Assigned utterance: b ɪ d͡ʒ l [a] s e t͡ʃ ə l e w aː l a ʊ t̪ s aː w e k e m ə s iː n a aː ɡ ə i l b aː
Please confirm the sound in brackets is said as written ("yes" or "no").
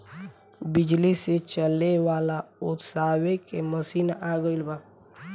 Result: no